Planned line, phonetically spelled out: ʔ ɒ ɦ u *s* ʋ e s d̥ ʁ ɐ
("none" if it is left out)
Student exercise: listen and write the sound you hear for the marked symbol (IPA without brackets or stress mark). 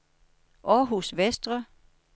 s